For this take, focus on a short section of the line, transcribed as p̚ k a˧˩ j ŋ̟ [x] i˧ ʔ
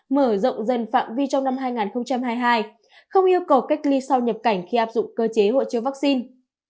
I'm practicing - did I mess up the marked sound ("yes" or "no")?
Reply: no